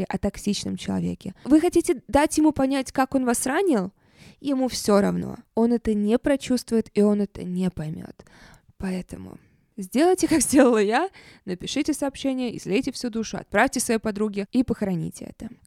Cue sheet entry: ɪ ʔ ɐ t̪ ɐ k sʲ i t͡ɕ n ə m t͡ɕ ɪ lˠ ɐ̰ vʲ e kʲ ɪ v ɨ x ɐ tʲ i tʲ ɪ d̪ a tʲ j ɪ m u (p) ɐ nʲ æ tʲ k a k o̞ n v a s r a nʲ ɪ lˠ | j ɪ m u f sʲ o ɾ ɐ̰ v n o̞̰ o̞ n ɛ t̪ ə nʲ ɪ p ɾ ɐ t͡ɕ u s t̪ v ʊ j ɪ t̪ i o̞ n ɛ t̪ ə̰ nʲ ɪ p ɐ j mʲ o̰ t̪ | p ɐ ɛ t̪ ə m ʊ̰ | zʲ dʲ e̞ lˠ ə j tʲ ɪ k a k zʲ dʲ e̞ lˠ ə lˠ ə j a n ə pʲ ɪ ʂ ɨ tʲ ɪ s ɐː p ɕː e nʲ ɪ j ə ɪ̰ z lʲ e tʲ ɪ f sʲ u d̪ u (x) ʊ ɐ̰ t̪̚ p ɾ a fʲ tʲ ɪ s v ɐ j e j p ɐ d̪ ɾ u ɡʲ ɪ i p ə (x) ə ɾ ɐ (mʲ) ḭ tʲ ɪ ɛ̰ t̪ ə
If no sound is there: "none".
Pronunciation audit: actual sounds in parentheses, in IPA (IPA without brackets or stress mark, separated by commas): p, ʂ, x, nʲ